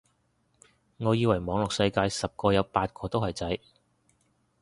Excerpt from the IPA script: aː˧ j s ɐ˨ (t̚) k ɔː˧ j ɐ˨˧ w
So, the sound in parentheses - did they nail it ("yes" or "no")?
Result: no